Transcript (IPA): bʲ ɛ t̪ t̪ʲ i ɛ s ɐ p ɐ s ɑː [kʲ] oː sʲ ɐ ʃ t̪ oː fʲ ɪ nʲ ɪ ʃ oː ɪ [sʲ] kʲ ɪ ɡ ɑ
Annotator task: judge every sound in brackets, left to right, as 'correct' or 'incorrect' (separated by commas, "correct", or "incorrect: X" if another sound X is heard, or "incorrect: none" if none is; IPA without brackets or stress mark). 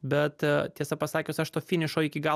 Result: correct, incorrect: none